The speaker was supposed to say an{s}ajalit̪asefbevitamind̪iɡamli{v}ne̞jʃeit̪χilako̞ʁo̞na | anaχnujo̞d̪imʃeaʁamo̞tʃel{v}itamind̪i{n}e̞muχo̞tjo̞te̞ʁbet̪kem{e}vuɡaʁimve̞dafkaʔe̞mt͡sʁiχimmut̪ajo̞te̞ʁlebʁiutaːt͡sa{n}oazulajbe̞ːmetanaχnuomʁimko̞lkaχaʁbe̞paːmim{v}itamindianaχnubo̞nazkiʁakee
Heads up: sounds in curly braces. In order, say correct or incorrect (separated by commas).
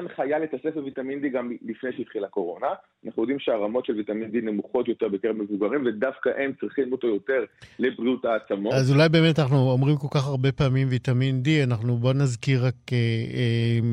incorrect, incorrect, correct, correct, correct, incorrect, correct